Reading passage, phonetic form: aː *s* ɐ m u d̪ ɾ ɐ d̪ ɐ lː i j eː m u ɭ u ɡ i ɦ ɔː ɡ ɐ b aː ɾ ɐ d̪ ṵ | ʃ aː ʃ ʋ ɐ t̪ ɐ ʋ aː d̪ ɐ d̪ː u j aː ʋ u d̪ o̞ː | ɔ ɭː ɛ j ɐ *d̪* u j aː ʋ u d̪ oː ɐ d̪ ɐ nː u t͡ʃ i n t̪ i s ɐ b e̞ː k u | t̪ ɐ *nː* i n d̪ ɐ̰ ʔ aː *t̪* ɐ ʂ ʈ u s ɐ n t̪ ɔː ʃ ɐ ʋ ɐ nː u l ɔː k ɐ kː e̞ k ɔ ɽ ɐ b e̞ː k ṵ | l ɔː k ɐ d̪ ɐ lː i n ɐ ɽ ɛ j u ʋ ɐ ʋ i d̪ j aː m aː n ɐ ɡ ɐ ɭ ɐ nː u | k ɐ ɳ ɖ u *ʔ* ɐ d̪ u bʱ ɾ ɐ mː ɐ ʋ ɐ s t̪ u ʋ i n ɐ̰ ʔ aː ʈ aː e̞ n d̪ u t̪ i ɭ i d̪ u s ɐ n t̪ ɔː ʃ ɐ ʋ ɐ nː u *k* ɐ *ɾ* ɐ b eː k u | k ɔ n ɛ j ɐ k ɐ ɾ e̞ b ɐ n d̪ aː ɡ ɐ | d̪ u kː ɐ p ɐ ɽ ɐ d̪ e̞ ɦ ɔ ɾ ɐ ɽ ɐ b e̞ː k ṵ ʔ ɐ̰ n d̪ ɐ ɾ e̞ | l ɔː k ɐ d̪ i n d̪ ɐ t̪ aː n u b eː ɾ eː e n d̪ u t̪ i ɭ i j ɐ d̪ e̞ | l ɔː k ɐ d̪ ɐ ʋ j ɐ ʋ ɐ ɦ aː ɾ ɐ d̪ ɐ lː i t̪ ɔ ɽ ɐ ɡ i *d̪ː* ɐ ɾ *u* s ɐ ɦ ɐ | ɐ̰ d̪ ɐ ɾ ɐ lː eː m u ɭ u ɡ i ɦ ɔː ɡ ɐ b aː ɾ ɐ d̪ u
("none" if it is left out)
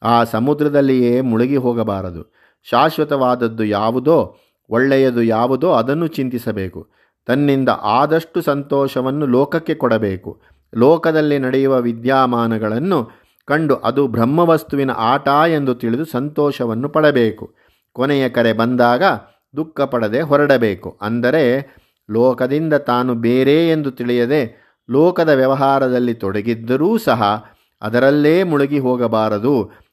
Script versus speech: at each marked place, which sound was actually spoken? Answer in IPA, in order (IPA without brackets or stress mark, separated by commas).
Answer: s, d̪, nː, d̪, ʔ, p, ɽ, d̪ː, uː